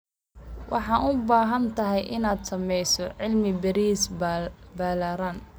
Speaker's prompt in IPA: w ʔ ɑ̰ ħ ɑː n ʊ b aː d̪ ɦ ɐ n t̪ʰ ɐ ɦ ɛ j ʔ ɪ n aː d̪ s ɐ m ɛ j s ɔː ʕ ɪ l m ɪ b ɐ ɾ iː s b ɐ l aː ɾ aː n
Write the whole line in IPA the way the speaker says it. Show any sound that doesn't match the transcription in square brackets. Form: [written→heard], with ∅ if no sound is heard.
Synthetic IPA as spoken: w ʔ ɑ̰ ħ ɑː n ʊ b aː [d̪→∅] ɦ ɐ n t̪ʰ ɐ ɦ ɛ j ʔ ɪ n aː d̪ s ɐ m ɛ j s [ɔː→ɔ] ʕ ɪ l m ɪ b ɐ ɾ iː s b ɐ l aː ɾ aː n